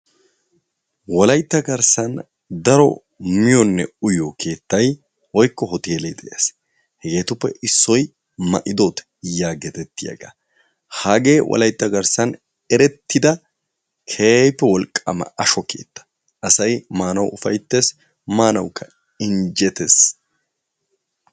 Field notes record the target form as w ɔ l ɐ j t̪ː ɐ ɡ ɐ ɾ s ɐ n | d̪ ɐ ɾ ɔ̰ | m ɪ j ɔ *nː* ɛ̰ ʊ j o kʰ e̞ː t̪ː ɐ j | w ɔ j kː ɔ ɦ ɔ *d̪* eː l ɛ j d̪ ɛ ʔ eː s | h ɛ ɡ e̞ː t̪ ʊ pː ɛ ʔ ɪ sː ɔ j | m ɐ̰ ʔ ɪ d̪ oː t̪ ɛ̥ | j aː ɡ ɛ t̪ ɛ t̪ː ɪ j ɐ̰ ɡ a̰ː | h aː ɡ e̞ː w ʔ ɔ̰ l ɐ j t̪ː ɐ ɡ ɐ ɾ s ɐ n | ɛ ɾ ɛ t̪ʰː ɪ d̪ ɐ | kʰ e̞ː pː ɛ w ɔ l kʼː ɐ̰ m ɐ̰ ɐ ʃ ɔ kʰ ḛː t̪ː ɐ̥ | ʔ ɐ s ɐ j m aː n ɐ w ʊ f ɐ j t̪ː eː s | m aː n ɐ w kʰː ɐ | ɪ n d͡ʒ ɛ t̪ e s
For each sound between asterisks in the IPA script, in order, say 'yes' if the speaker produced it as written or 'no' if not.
yes, no

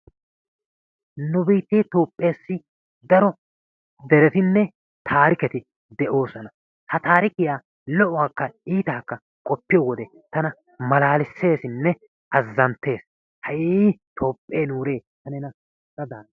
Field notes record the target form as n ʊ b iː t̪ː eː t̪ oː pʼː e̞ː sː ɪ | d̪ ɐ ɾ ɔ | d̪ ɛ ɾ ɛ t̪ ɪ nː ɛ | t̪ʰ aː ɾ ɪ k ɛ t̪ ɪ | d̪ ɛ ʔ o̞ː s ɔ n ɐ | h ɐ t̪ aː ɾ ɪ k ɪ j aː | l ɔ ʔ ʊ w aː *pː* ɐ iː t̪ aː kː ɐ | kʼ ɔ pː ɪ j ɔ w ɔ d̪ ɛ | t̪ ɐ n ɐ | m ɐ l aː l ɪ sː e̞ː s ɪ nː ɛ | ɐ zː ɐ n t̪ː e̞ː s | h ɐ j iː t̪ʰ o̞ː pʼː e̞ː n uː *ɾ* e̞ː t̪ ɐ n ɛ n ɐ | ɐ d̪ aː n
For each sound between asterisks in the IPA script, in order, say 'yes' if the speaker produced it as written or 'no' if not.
no, yes

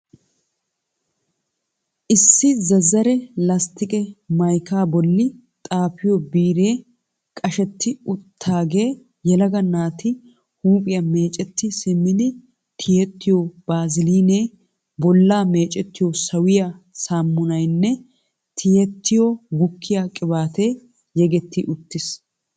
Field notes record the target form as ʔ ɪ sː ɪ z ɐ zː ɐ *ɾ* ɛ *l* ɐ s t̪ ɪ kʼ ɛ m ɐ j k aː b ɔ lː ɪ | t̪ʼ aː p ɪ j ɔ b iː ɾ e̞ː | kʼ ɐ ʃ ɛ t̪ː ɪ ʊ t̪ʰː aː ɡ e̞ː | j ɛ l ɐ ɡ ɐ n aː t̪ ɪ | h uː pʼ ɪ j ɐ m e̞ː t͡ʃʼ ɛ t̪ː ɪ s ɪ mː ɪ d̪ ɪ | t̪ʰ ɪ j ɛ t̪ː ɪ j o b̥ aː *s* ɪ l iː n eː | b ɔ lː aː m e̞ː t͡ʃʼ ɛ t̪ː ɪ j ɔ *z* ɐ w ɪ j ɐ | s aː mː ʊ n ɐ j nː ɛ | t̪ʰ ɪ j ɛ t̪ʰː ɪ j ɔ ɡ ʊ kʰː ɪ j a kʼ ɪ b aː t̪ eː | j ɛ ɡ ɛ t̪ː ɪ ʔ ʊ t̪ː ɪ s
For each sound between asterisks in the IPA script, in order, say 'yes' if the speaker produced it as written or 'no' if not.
yes, yes, no, no

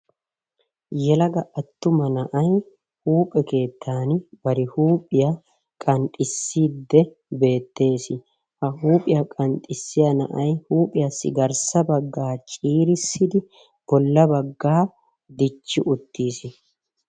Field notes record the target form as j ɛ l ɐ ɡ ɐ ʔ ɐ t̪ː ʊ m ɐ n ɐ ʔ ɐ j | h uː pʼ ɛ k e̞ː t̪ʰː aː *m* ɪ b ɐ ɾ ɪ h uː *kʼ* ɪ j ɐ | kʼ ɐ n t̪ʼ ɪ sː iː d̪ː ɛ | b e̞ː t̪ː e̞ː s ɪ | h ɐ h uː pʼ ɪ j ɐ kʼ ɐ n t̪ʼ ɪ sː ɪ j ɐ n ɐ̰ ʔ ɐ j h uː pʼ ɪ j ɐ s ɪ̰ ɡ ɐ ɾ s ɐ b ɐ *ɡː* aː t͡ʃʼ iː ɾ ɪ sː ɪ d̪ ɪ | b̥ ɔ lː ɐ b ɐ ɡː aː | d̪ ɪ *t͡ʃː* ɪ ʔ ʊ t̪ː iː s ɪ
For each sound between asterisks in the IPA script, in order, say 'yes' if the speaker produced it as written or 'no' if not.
no, no, yes, yes

